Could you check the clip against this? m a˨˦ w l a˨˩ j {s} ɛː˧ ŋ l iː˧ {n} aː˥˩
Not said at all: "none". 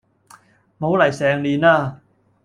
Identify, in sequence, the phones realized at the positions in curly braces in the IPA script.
s, n

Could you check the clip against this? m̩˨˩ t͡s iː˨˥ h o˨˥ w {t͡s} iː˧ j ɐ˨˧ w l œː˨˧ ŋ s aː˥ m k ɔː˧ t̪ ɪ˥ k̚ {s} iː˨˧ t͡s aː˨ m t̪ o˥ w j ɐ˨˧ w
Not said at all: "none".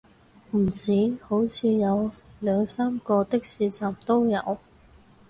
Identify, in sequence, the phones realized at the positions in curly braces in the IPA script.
t͡sʰ, s

